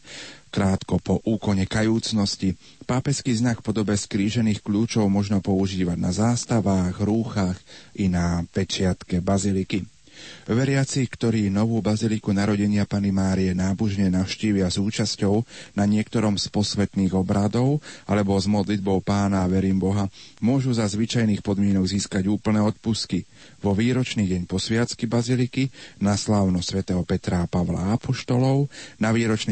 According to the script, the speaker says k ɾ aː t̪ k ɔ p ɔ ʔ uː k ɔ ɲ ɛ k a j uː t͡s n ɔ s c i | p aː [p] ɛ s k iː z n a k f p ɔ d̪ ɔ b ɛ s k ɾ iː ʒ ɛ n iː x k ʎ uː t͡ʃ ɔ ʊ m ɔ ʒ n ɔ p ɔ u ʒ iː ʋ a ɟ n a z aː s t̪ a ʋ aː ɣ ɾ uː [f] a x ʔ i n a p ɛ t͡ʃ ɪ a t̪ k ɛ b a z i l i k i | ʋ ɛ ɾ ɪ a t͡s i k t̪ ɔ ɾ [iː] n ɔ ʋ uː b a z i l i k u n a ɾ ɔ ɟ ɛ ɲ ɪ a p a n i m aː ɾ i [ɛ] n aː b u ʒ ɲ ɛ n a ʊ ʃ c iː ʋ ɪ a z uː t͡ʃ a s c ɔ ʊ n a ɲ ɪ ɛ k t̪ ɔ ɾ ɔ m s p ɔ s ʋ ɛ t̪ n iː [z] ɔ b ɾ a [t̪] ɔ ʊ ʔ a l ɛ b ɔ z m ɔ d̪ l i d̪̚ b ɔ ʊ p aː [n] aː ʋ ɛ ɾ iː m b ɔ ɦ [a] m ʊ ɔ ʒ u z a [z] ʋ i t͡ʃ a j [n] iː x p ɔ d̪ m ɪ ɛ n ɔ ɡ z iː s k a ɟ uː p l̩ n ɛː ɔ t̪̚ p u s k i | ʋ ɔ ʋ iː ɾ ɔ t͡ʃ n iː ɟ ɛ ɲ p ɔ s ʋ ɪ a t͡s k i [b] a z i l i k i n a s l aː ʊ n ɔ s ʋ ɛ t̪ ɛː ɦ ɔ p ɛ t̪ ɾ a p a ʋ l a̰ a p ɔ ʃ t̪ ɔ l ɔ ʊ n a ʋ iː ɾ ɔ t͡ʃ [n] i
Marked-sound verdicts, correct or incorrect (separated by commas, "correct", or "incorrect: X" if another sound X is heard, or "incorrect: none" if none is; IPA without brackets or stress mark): correct, incorrect: x, correct, correct, incorrect: ɣ, incorrect: d̪, correct, correct, correct, correct, correct, correct